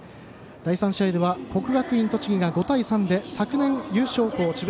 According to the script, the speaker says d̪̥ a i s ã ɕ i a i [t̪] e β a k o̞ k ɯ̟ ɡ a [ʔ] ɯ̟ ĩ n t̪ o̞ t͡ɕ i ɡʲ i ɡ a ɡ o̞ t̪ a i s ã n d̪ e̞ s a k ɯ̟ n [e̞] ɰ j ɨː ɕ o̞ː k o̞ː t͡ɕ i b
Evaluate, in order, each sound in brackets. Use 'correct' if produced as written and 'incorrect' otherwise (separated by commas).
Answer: incorrect, incorrect, incorrect